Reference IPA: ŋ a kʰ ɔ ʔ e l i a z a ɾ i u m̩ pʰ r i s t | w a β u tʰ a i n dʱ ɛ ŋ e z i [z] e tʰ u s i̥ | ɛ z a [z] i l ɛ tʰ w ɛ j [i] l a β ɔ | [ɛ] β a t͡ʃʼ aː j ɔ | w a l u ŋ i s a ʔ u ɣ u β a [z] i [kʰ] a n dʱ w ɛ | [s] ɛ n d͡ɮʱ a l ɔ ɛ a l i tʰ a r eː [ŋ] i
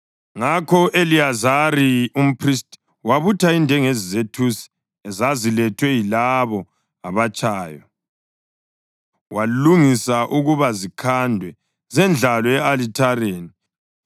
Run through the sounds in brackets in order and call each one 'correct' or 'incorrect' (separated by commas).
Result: correct, correct, correct, incorrect, correct, correct, incorrect, incorrect